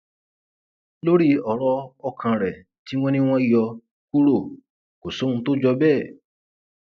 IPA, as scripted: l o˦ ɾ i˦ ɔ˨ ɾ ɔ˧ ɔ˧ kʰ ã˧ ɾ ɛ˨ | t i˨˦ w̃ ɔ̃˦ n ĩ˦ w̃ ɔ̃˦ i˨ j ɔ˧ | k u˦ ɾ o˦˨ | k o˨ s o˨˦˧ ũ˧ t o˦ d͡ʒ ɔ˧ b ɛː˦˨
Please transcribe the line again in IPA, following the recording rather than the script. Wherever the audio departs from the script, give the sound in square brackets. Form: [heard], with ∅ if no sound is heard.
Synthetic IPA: l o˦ ɾ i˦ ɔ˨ ɾ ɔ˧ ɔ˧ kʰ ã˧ ɾ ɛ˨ | t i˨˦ w̃ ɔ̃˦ n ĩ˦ w̃ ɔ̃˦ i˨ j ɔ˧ | k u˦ ɾ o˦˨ | k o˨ s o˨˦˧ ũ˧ t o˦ d͡ʒ ɔ˧ b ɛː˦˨